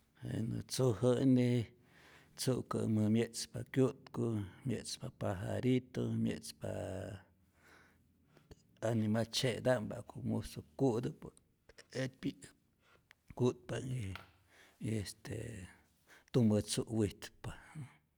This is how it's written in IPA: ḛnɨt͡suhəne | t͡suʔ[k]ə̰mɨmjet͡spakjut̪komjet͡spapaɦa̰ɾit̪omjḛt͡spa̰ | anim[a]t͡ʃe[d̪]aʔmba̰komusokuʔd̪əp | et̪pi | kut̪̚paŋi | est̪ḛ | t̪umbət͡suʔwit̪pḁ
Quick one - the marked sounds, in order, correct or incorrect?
correct, correct, correct

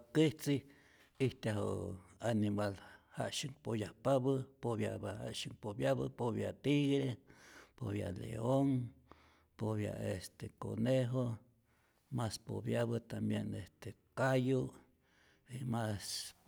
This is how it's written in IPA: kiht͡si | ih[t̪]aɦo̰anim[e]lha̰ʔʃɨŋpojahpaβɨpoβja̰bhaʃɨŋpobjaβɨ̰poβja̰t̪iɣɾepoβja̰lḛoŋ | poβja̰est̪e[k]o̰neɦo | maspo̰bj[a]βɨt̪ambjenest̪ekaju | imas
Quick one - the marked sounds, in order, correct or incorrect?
correct, incorrect: a, correct, correct

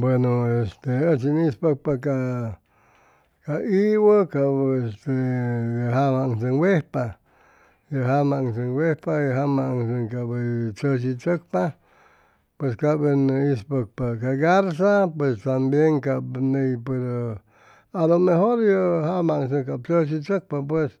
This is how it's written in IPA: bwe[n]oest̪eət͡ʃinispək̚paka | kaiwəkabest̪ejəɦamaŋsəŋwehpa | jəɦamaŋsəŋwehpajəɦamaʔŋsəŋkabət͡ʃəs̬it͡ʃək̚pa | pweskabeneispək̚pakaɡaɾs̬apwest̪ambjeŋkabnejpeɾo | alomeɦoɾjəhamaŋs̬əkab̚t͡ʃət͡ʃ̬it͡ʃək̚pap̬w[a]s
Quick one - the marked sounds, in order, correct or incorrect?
correct, incorrect: e

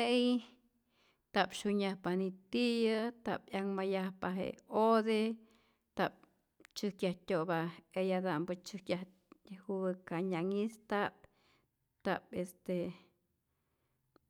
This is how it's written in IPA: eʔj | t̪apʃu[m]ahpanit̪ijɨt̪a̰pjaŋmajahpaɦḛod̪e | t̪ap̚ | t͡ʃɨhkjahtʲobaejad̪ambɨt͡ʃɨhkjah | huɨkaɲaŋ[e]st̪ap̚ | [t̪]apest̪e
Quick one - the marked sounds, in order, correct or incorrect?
incorrect: ɲ, incorrect: i, correct

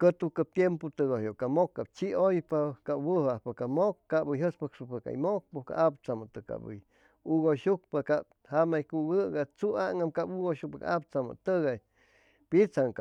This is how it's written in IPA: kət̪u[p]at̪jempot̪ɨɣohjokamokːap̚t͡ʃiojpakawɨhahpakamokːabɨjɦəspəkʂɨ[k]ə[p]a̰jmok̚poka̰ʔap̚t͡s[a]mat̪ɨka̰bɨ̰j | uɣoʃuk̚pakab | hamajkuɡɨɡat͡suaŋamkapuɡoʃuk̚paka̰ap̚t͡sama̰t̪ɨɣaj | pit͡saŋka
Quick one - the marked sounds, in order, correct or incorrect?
incorrect: k, incorrect: p, incorrect: k, correct

